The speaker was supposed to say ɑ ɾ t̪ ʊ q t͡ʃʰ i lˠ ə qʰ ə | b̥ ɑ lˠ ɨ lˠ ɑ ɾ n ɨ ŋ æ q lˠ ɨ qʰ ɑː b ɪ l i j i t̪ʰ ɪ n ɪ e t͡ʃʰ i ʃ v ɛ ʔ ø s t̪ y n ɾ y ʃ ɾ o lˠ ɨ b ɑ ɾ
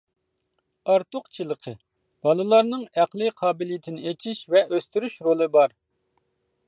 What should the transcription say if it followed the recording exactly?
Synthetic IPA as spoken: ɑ ɾ t̪ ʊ q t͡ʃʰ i lˠ ə qʰ ə | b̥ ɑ lˠ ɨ lˠ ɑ ɾ n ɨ ŋ æ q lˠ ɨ qʰ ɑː b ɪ l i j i t̪ʰ ɪ n ɪ e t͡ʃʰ i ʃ v ɛ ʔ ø s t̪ y ɾ y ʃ ɾ o lˠ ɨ b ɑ ɾ